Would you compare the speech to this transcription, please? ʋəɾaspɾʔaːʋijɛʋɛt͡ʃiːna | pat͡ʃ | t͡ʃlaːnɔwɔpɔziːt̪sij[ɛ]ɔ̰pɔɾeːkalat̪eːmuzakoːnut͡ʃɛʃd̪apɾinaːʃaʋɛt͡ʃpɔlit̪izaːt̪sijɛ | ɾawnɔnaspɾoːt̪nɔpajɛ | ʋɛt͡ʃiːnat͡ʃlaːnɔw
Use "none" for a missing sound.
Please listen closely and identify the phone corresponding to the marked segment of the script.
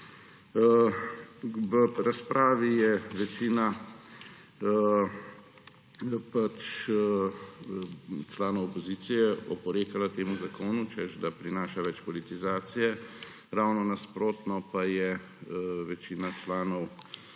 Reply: ɛ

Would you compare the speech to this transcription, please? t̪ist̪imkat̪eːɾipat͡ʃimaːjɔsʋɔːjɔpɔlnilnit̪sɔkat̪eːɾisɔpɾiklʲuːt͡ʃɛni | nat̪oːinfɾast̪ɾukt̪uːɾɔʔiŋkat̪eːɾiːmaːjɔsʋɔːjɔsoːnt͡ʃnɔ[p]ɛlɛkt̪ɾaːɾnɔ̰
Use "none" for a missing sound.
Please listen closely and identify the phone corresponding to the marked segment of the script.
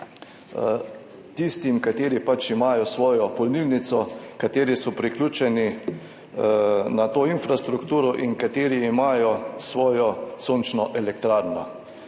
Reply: ʔ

